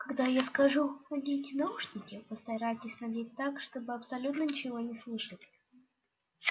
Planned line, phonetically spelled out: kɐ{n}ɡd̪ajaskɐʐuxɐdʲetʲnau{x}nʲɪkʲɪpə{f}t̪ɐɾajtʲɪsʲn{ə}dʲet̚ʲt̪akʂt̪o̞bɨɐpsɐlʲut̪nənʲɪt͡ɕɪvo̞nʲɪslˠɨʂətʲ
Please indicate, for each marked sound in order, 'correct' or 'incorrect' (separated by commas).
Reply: incorrect, incorrect, incorrect, incorrect